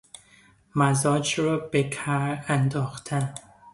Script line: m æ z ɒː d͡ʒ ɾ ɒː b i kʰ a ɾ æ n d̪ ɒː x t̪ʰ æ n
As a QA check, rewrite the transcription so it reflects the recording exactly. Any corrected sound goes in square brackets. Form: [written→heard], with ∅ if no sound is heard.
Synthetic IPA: m æ z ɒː d͡ʒ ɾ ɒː b [i→e] kʰ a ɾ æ n d̪ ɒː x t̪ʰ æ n